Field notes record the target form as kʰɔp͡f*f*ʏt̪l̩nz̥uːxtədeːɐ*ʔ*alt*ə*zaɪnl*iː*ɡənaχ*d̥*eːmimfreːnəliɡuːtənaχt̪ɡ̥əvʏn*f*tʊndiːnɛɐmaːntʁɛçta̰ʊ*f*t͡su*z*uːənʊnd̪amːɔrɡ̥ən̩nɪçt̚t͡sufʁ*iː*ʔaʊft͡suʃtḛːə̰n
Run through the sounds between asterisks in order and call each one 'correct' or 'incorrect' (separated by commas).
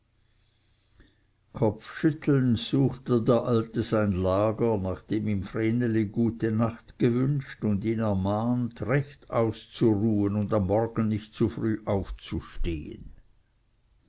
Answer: incorrect, correct, correct, incorrect, correct, incorrect, incorrect, incorrect, incorrect